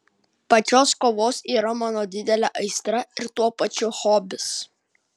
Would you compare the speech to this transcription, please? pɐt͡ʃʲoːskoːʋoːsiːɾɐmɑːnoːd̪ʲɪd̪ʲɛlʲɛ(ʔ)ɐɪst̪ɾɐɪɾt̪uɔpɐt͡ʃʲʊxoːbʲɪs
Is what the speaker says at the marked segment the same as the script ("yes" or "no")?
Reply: yes